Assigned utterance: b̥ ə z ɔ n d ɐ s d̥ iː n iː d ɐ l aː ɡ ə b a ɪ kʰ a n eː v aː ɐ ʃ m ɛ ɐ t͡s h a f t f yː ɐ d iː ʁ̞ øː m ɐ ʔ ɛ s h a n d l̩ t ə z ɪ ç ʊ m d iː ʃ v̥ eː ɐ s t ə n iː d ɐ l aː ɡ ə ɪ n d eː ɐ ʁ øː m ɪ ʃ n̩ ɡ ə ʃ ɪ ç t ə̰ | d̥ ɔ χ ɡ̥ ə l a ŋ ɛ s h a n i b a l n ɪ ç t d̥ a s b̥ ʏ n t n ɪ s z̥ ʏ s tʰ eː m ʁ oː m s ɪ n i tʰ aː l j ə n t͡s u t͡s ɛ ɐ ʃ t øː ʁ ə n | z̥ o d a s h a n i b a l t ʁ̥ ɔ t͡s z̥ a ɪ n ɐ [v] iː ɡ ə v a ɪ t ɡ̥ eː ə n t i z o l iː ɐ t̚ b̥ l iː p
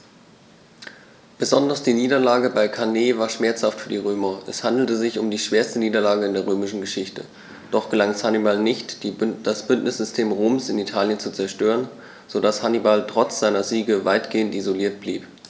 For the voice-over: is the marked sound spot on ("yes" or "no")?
no